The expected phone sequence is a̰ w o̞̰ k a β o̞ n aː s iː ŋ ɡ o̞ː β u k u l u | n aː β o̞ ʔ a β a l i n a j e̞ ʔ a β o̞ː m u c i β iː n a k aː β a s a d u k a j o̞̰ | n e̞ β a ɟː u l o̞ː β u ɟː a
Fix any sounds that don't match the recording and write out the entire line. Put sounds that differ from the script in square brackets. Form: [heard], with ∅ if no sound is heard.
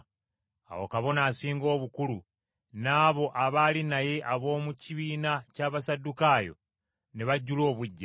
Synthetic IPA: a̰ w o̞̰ k a β o̞ n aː s iː ŋ ɡ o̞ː β u k u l u | n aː β o̞ ʔ a β a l i n a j e̞ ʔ a β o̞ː m u c i β iː n a [c] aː β a s a d u k a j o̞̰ | n e̞ β a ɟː u l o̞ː β u ɟː a